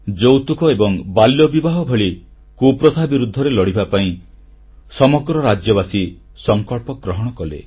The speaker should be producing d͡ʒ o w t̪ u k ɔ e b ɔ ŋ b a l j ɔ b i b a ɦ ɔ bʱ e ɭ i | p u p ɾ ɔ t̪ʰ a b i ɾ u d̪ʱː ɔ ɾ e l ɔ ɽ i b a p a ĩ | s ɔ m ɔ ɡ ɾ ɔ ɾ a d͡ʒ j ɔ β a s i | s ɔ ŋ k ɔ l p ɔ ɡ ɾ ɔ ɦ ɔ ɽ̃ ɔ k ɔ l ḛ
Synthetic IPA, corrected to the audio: d͡ʒ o w t̪ u k ɔ e b ɔ ŋ b a l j ɔ b i b a ɦ ɔ bʱ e ɭ i | k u p ɾ ɔ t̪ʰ a b i ɾ u d̪ʱː ɔ ɾ e l ɔ ɽ i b a p a ĩ | s ɔ m ɔ ɡ ɾ ɔ ɾ a d͡ʒ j ɔ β a s i | s ɔ ŋ k ɔ ɭ p ɔ ɡ ɾ ɔ ɦ ɔ ɽ̃ ɔ k ɔ l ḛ